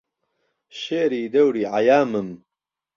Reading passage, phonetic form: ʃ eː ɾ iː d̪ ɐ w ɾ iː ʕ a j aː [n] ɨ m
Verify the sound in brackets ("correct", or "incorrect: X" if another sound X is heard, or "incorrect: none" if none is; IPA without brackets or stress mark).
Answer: incorrect: m